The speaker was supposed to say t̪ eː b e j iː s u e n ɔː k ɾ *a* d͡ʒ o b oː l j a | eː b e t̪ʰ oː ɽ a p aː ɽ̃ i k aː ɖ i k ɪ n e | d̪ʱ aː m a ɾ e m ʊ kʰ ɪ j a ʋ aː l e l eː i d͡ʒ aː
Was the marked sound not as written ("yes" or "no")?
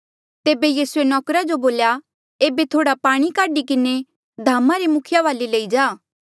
no